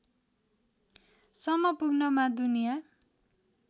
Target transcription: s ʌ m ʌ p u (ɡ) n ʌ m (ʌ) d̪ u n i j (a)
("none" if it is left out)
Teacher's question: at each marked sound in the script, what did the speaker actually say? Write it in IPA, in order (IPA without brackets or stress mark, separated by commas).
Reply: ɡ, a, a